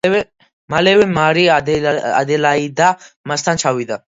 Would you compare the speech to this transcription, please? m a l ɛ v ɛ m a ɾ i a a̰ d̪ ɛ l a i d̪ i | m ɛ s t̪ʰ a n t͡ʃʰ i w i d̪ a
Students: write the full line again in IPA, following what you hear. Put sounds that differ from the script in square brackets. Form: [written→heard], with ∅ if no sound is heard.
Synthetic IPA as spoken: m a l ɛ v ɛ m a ɾ i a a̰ d̪ ɛ l a i d̪ [i→a] | m [ɛ→a] s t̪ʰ a n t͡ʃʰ [i→a] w i d̪ a